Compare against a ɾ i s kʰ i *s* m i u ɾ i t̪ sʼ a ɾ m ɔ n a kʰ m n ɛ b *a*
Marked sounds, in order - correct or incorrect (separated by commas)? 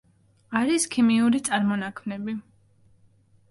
incorrect, incorrect